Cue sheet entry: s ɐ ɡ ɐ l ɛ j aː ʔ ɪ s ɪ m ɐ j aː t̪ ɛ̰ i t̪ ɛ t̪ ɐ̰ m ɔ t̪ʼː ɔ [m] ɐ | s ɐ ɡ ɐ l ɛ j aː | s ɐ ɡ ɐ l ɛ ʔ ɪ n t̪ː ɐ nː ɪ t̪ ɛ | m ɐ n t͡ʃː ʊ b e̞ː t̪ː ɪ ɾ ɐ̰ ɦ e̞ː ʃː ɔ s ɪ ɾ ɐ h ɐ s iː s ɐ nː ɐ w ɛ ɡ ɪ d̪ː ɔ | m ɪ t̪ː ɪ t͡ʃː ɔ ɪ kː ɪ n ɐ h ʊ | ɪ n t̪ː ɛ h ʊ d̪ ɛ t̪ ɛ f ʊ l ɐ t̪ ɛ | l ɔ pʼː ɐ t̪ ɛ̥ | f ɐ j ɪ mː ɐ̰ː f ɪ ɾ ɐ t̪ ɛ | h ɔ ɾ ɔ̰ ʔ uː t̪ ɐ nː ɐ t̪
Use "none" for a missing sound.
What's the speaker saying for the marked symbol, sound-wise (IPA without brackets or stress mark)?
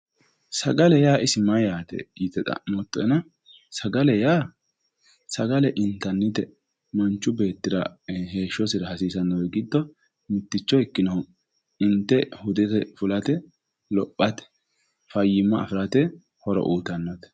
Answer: n